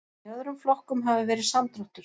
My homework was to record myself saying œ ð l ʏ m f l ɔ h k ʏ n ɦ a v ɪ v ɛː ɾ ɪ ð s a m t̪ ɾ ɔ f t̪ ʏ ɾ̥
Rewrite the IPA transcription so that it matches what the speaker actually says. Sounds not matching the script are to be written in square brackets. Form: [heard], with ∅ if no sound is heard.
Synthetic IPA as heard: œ ð [ɾ] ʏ m f l ɔ h k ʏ [m] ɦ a v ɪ v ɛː ɾ ɪ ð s a m t̪ ɾ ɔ [h] t̪ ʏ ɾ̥